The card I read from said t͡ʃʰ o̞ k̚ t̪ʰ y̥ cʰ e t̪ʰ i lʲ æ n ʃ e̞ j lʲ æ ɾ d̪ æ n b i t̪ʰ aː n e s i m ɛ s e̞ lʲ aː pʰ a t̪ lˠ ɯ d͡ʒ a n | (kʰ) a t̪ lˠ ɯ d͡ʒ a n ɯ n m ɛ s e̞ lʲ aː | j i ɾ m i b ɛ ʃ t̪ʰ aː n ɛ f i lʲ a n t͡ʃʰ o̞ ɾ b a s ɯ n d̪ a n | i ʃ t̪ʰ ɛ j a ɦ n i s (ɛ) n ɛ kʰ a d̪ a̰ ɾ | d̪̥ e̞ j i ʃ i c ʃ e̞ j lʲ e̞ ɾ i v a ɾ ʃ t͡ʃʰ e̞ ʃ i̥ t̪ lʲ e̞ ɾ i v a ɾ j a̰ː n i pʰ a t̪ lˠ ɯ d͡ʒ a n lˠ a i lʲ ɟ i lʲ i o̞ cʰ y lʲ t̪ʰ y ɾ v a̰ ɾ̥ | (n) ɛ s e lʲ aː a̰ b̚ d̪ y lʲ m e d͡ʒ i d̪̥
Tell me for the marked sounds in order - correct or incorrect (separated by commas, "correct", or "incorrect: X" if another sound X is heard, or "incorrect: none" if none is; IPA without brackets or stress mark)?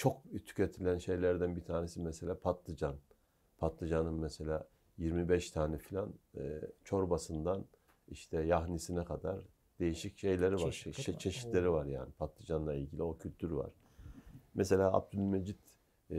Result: incorrect: pʰ, incorrect: i, incorrect: m